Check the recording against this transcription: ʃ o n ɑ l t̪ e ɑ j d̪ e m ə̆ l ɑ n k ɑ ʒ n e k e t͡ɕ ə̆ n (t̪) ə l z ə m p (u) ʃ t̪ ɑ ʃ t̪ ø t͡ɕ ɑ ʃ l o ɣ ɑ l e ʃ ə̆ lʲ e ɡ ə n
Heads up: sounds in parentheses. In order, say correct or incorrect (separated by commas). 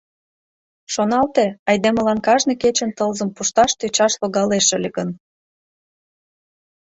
correct, correct